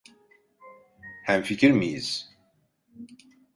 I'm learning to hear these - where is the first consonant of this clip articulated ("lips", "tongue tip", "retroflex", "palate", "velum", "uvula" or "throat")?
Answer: throat